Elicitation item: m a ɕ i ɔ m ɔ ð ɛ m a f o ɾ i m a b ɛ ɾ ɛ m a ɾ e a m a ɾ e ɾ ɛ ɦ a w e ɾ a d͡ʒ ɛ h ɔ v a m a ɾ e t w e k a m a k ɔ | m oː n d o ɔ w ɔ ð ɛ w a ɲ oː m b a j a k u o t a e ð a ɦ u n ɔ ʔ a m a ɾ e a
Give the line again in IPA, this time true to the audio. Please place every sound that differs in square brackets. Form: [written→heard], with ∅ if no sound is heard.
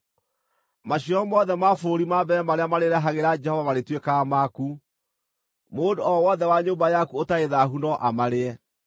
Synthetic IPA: m a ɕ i ɔ m ɔ ð ɛ m a f o ɾ i m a b ɛ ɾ ɛ m a ɾ e a m a ɾ e ɾ ɛ ɦ a [w→ɣ] e ɾ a d͡ʒ ɛ h ɔ v a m a ɾ e t w e k a m a k [ɔ→u] | m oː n d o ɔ w ɔ ð ɛ w a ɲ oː m b a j a k u o t a e ð a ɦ u n ɔ ʔ a m a ɾ e [a→ɛ]